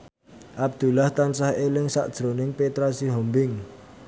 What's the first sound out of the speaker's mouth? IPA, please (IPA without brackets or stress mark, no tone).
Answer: ʔ